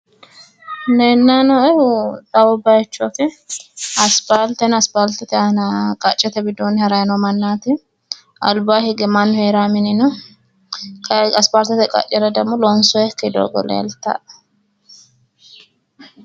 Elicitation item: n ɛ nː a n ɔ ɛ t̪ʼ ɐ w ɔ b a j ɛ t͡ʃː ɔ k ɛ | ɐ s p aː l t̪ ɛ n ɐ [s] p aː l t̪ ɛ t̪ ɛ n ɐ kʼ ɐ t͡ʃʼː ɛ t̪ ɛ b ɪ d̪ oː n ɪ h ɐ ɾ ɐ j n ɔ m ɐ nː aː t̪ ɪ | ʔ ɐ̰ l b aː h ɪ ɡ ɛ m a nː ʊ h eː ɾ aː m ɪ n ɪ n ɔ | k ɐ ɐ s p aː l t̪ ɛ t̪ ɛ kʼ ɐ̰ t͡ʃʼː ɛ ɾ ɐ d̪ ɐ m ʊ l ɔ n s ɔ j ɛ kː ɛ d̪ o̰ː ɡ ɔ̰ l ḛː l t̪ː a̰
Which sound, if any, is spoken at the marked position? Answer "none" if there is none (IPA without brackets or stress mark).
s